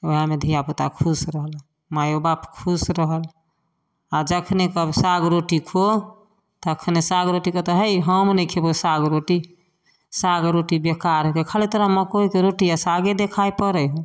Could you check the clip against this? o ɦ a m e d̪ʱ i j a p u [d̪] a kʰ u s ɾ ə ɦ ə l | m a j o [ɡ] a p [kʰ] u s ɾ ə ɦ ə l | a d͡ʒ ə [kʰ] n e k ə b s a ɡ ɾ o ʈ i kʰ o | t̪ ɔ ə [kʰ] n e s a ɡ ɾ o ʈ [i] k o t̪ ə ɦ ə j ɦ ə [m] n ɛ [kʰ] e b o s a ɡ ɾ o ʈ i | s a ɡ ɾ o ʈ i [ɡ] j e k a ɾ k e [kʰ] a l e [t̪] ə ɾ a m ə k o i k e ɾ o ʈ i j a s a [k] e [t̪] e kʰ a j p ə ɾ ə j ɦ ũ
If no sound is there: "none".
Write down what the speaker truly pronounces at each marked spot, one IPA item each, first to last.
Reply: t̪, b, kʰ, kʰ, kʰ, i, m, kʰ, b, kʰ, t̪, ɡ, d̪

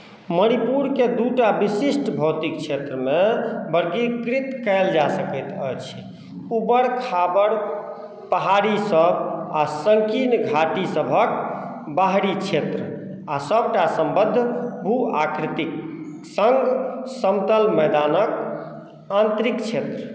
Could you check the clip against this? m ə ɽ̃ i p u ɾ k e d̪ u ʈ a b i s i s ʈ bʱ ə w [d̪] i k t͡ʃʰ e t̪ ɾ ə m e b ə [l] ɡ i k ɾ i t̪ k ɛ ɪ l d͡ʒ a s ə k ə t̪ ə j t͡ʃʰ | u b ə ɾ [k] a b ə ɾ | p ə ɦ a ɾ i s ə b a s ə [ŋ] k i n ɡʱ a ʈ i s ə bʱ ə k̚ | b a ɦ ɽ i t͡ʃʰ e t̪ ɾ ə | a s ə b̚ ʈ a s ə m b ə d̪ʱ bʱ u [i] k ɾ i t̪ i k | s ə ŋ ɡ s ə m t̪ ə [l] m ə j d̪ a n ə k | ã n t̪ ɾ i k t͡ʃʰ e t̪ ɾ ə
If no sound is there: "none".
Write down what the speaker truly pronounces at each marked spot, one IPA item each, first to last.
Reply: t̪, ɾ, kʰ, ŋ, a, l

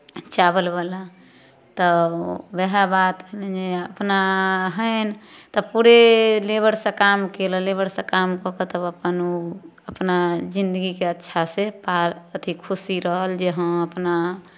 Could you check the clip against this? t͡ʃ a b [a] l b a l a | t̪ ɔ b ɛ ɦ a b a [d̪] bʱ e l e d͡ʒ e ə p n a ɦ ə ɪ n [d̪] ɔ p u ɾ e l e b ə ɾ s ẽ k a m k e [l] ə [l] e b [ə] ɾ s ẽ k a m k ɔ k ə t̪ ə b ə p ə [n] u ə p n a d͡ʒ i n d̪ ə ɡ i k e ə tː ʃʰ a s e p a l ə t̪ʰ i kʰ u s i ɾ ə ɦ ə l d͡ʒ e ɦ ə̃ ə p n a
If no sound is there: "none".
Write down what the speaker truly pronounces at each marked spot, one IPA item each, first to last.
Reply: ə, t̪, t̪, l, l, ə, n

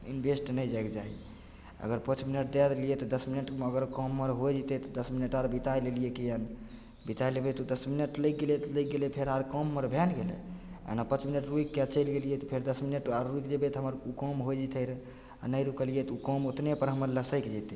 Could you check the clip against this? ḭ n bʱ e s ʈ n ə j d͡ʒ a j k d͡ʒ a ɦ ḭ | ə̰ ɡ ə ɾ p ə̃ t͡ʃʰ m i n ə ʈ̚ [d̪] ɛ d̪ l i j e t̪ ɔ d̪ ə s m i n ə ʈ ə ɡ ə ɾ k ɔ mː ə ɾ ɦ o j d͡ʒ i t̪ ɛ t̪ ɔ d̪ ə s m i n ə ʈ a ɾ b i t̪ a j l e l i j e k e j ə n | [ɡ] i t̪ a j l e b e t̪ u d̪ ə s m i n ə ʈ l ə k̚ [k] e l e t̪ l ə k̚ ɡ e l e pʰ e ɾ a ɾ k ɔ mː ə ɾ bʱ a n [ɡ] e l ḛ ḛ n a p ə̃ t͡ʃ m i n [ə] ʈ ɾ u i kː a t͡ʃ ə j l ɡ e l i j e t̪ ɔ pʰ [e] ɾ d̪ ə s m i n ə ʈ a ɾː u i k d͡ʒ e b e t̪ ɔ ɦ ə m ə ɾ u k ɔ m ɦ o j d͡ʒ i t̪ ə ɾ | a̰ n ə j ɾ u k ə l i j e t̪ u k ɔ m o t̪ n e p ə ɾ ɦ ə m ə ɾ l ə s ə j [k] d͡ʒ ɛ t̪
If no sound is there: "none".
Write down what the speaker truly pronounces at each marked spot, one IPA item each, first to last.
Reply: d̪, b, ɡ, ɡ, ə, e, k

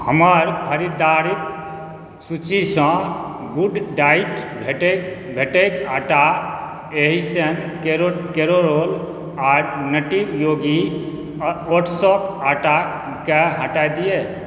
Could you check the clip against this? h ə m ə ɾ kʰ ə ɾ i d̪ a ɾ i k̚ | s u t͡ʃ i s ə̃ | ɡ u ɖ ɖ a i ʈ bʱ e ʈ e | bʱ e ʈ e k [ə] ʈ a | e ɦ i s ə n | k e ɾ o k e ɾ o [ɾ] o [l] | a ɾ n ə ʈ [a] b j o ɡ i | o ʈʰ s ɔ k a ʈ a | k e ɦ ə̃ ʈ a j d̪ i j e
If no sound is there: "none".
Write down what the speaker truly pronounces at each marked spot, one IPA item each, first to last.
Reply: a, ɾ, l, i

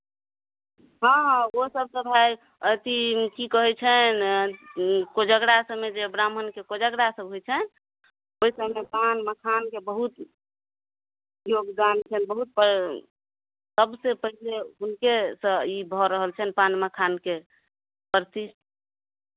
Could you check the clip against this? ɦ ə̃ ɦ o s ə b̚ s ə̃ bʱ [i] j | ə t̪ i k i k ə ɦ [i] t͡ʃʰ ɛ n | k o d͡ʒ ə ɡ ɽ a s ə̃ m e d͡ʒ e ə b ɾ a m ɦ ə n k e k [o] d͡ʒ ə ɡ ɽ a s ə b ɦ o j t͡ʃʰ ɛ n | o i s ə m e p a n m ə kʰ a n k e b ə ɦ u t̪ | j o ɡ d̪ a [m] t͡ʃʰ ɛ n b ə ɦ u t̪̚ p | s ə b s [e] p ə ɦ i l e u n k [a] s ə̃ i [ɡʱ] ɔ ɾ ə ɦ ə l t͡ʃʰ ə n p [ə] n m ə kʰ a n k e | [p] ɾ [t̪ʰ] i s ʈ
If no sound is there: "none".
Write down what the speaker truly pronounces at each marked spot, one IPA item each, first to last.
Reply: a, ɛ, o, n, e, e, bʱ, a, p, t̪

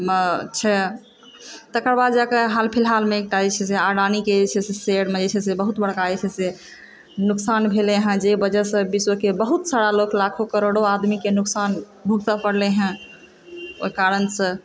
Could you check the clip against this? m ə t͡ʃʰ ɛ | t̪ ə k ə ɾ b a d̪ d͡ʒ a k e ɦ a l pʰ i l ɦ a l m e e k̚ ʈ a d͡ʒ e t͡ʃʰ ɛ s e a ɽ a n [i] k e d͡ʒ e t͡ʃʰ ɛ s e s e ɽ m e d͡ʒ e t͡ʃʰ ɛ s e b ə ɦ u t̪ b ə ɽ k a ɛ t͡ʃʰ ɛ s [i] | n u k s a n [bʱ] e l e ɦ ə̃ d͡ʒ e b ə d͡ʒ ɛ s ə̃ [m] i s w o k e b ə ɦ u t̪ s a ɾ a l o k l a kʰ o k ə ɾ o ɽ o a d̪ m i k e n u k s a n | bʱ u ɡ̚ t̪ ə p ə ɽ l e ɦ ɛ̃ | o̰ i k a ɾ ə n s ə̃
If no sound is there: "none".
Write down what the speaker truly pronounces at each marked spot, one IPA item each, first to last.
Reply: i, e, bʱ, b

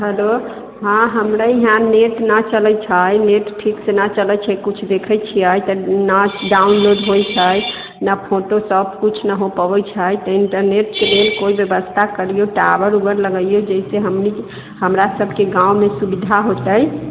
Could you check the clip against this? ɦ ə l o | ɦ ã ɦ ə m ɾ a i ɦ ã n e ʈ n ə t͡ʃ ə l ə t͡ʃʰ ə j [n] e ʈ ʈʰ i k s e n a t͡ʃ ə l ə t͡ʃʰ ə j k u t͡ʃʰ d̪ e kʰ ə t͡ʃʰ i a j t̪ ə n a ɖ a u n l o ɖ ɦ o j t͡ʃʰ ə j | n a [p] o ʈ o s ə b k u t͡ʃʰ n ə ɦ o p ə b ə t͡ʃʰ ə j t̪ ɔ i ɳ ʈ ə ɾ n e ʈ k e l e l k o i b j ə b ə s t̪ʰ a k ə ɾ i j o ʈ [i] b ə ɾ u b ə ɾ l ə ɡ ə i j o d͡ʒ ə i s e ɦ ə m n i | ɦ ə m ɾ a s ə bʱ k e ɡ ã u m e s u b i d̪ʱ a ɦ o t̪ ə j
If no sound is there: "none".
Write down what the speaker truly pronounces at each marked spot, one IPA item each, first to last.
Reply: n, pʰ, a

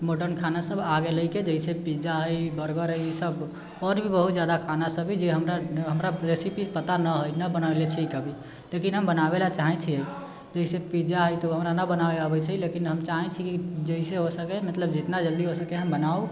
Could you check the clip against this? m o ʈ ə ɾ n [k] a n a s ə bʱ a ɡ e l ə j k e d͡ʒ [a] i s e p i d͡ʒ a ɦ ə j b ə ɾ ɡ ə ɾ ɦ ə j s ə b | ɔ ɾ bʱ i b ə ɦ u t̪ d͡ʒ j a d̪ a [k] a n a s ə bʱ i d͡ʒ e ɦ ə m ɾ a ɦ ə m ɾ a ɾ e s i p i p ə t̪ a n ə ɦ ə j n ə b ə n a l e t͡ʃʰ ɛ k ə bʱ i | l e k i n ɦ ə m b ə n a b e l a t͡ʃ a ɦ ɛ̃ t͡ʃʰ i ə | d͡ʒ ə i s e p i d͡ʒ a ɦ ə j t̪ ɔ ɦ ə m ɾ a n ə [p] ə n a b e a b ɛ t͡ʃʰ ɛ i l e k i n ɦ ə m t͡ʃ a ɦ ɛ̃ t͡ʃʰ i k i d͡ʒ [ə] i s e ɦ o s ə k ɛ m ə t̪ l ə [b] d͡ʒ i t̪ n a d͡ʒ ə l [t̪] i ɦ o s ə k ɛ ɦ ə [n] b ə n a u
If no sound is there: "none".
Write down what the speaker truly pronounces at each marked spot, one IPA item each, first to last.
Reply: kʰ, ə, kʰ, b, ə, b, d̪, m

